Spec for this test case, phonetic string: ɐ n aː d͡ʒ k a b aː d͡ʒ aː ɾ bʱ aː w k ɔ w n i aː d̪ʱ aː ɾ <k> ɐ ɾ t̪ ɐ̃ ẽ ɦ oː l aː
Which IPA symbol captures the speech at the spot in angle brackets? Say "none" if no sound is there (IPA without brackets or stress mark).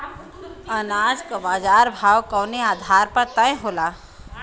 p